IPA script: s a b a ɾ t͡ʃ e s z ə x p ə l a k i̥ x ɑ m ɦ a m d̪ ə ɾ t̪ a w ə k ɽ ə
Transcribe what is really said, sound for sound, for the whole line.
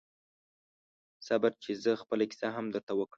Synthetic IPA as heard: s a b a ɾ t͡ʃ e z ə x p ə l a k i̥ s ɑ ɦ a m d̪ ə ɾ t̪ a w ə k ɽ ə